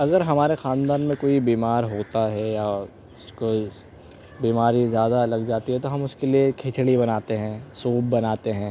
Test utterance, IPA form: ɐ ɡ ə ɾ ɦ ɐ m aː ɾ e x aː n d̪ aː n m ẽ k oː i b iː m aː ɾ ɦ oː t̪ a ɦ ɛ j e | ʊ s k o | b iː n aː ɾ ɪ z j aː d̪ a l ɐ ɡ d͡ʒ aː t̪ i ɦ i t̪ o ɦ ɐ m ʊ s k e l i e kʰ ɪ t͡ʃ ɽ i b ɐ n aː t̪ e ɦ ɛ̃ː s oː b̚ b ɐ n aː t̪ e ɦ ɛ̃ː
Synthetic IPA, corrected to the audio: ɐ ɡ ə ɾ ɦ ɐ m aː ɾ e x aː n d̪ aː n m ẽ k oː i b iː m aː ɾ ɦ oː t̪ a ɦ ɛ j a | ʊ s k o | b iː m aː ɾ i z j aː d̪ a l ɐ ɡ d͡ʒ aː t̪ i ɦ ɛ t̪ o ɦ ɐ m ʊ s k e l i e kʰ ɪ t͡ʃ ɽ i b ɐ n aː t̪ e ɦ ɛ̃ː s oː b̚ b ɐ n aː t̪ e ɦ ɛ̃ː